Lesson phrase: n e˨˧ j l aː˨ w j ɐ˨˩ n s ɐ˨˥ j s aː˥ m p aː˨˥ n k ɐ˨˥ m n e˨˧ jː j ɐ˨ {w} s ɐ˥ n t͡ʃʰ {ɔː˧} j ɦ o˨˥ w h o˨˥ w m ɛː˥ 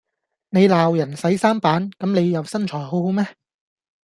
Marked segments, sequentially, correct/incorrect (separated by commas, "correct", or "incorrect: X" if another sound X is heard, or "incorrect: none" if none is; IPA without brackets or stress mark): correct, incorrect: ɔː˨˩